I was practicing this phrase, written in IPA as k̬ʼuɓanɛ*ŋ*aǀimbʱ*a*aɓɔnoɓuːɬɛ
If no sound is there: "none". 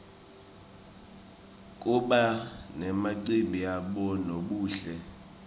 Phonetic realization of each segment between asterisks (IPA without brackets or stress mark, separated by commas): m, i